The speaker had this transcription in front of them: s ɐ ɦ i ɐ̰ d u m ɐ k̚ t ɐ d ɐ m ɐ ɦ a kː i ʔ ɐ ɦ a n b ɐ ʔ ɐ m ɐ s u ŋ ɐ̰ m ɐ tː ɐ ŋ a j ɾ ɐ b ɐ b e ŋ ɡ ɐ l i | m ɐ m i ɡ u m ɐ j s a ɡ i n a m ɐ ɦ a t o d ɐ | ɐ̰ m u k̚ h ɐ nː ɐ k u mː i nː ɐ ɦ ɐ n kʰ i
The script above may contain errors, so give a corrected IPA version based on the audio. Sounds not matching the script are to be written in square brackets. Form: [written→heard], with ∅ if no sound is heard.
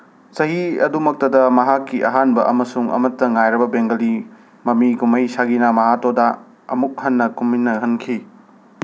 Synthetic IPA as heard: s ɐ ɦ i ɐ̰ d u m ɐ k̚ t ɐ d ɐ m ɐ ɦ a kː i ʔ ɐ ɦ a n b ɐ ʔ ɐ m ɐ s u ŋ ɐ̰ m ɐ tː ɐ ŋ a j ɾ ɐ b ɐ b e ŋ ɡ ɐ l i | m ɐ m i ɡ u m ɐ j s a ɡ i n a m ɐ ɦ a t o d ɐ | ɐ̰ m u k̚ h ɐ nː ɐ k u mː i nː ɐ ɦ ɐ n kʰ i